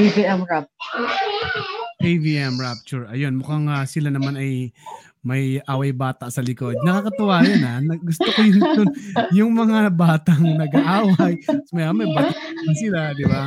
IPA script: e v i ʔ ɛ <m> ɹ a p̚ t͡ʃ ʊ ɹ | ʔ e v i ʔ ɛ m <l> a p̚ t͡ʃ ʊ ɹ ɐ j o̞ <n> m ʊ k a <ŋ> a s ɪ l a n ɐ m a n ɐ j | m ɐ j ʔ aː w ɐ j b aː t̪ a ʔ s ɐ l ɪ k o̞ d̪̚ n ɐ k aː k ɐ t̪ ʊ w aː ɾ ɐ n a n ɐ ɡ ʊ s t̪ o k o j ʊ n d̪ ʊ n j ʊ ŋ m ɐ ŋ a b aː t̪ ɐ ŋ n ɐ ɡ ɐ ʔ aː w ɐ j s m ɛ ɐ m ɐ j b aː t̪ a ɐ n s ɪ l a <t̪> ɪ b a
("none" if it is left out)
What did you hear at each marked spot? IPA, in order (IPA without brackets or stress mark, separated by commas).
m, ɹ, n, ŋ, d̪